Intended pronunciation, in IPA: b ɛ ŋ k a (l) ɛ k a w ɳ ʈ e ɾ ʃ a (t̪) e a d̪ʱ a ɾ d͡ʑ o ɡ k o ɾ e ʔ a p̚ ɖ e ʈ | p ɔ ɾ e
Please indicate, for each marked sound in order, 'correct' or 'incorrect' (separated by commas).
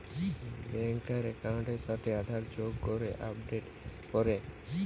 incorrect, incorrect